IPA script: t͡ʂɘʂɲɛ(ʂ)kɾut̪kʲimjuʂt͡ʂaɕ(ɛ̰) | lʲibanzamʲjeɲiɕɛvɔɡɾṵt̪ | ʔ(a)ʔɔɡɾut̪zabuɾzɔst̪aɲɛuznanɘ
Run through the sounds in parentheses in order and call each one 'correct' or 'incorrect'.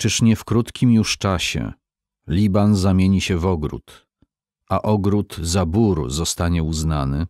incorrect: f, correct, correct

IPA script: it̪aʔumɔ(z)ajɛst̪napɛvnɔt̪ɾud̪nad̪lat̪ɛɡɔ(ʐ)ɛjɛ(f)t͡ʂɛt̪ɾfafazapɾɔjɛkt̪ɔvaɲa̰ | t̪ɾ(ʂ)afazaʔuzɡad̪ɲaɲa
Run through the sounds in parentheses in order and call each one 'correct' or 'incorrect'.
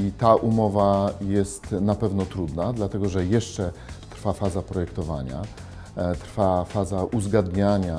incorrect: v, correct, incorrect: ʂ, incorrect: f

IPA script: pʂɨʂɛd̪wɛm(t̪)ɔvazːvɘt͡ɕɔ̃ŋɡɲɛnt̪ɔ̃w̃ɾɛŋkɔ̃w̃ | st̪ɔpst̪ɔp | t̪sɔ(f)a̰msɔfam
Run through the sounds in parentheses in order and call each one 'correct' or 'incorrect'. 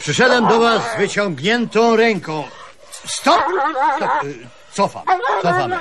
incorrect: d̪, correct

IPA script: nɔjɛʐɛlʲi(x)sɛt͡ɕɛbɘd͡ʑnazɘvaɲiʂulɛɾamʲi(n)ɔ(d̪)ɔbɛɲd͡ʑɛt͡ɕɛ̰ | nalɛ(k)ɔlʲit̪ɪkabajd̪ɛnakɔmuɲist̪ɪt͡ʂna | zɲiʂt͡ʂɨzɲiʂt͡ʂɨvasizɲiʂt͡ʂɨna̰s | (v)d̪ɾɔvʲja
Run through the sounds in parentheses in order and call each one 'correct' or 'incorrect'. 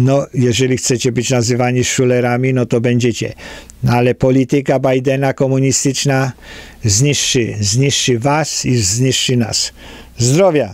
correct, correct, incorrect: t̪, incorrect: p, incorrect: z

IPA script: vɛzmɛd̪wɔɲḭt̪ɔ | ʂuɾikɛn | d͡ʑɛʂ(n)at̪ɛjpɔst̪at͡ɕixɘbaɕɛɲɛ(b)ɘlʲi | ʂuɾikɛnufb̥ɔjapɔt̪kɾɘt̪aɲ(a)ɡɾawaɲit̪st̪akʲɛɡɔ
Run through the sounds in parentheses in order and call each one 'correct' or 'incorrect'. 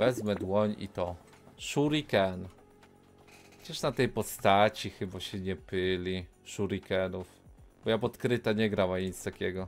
correct, incorrect: p, incorrect: ɛ

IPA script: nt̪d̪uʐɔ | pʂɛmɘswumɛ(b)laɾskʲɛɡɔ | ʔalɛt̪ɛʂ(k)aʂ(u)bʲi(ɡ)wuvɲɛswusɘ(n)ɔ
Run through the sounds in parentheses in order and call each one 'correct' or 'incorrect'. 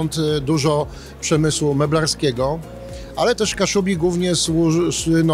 correct, correct, correct, correct, correct

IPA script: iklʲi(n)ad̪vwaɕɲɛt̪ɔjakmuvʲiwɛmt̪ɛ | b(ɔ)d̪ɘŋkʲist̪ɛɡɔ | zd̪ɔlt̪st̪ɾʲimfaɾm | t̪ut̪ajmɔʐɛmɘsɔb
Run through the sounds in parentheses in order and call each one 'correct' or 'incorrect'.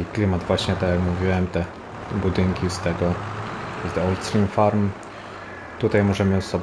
incorrect: m, incorrect: u

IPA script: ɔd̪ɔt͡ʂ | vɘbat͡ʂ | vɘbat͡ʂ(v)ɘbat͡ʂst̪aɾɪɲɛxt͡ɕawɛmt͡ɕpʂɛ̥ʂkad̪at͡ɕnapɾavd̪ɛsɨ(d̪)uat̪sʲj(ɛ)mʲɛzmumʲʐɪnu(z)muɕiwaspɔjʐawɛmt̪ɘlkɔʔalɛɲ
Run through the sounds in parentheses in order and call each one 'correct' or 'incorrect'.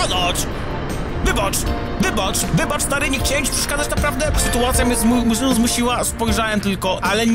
correct, incorrect: t̪, incorrect: a, correct

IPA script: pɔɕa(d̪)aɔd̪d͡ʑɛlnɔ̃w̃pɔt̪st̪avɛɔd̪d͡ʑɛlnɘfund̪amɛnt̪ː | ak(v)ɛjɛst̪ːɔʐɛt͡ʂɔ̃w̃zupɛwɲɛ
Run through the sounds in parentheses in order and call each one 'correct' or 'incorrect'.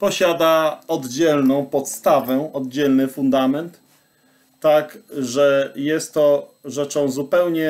correct, incorrect: ʐ

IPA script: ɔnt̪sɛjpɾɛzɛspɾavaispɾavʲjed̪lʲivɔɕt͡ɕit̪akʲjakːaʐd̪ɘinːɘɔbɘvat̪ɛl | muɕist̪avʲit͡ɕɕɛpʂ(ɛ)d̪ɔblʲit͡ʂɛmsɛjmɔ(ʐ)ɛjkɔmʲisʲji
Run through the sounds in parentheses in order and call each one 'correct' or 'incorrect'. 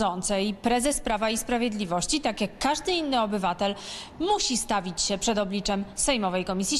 correct, incorrect: v

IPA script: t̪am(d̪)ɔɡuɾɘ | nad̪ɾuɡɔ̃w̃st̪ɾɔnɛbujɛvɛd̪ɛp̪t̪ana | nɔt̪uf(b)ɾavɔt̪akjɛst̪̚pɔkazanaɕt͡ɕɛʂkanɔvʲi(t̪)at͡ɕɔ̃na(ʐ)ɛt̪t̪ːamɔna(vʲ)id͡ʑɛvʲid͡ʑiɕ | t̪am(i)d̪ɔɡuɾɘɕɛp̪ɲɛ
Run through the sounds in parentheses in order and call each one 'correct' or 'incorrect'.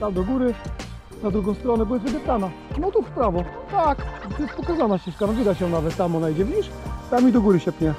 correct, incorrect: p, incorrect: d̪, incorrect: v, incorrect: none, correct

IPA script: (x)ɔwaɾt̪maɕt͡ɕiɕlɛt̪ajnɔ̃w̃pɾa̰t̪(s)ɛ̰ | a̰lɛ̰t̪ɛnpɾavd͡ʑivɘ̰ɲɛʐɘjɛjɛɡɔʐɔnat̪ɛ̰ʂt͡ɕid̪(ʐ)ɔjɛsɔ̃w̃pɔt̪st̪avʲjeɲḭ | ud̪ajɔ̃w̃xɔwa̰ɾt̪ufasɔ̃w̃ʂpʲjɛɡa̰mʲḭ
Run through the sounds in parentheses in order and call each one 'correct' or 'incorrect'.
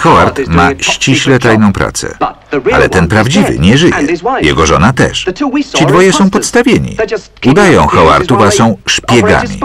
correct, correct, incorrect: v

